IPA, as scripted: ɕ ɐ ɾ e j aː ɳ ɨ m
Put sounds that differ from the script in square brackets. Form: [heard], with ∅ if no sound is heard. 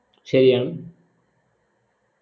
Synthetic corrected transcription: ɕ ɐ ɾ [i] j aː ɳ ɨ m